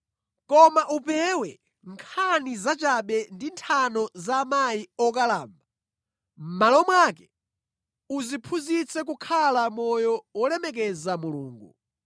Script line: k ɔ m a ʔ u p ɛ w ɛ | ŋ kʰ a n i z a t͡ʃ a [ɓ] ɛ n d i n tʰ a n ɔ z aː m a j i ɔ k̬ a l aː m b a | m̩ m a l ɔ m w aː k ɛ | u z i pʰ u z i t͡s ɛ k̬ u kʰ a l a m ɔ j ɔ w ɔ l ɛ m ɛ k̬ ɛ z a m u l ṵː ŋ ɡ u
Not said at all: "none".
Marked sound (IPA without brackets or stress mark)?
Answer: ɓ